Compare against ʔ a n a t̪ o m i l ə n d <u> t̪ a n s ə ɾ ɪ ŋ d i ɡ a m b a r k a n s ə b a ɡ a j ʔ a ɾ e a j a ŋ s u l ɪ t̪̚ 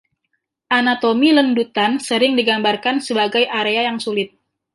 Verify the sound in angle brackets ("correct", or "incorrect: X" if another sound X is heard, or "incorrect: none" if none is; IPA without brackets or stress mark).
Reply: correct